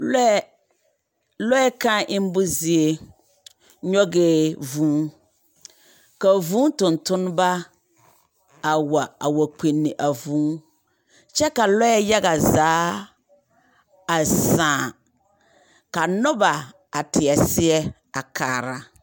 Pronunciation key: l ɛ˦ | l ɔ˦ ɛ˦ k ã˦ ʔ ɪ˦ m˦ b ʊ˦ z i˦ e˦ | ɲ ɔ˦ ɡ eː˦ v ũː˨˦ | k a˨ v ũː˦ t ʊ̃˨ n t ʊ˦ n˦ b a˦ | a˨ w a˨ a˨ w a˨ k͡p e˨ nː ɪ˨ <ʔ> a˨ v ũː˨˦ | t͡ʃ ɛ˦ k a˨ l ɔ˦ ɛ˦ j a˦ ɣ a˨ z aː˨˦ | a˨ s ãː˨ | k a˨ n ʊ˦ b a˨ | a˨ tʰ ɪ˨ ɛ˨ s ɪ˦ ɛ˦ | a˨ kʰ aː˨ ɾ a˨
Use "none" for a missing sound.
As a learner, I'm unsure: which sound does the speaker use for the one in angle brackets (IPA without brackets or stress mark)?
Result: ʔ